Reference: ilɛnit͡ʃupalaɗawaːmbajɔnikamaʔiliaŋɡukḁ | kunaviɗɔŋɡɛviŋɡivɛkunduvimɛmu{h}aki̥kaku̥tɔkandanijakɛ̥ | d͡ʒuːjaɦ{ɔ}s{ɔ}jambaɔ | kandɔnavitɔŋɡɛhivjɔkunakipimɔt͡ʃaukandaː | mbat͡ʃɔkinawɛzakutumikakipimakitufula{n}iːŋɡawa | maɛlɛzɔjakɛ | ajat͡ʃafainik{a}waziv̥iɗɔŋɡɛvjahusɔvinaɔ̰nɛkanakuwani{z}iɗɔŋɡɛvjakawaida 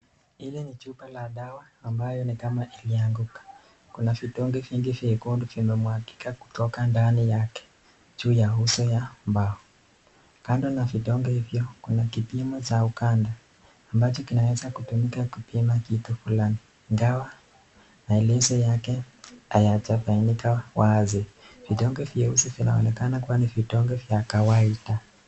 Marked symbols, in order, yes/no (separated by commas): yes, no, yes, yes, yes, no